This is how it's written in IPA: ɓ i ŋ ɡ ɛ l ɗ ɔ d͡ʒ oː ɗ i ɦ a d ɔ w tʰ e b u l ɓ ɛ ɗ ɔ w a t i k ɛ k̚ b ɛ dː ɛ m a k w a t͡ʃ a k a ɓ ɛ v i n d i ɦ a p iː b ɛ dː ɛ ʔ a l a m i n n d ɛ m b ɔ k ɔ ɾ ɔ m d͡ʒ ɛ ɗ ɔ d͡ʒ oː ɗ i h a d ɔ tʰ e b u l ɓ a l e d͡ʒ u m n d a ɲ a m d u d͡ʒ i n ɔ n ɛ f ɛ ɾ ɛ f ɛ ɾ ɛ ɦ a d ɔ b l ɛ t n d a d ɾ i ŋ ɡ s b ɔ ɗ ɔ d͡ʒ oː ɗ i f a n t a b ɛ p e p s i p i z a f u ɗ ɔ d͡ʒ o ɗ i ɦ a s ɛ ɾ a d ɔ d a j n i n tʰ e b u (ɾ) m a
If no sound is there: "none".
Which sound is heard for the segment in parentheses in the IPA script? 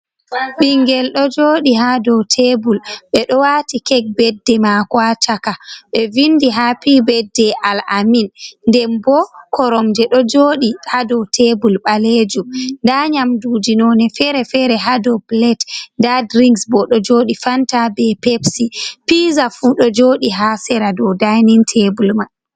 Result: l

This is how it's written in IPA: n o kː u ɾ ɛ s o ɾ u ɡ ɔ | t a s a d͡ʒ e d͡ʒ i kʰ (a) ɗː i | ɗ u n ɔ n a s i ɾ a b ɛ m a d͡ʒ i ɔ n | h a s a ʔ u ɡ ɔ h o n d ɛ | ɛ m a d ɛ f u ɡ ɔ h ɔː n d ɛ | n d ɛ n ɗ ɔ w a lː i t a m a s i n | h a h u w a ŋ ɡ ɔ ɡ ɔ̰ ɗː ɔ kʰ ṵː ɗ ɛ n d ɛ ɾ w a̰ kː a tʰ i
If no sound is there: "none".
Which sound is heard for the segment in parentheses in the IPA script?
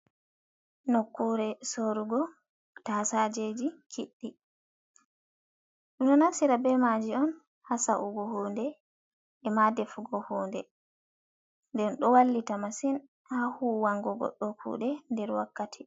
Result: i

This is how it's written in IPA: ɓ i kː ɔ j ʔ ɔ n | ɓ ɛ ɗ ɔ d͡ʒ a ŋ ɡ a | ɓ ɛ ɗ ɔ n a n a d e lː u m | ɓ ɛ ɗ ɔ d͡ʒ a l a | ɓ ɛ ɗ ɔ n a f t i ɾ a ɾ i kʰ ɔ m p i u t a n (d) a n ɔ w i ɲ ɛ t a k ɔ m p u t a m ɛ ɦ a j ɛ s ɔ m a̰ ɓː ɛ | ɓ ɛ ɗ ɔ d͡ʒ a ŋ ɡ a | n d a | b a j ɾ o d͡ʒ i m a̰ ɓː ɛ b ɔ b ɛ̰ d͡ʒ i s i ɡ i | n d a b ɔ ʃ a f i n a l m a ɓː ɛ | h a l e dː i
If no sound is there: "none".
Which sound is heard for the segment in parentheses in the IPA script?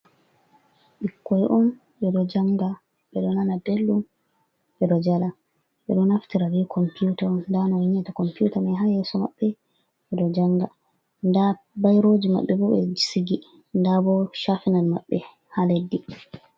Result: d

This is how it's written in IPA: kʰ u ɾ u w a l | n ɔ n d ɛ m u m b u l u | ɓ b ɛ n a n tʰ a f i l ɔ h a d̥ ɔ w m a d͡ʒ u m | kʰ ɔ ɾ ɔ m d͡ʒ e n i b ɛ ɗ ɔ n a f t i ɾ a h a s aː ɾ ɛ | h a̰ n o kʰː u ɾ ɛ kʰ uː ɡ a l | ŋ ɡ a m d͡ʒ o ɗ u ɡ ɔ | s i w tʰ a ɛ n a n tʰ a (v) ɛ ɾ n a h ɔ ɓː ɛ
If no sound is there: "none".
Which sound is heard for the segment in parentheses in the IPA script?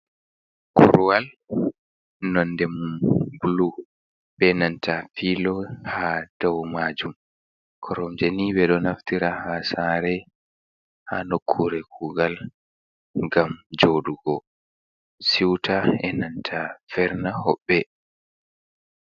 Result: f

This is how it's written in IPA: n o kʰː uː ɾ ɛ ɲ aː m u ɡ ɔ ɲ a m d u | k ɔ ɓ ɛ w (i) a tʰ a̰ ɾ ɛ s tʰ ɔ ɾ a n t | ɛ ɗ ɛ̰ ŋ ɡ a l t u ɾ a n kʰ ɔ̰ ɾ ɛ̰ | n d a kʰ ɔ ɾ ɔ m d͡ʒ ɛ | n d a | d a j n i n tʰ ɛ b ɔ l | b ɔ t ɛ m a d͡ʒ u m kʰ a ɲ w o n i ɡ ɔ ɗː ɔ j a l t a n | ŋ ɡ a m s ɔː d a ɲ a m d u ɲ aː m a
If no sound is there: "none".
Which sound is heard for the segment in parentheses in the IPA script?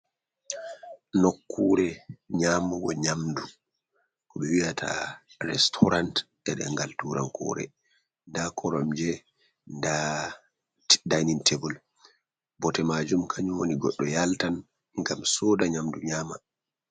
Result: i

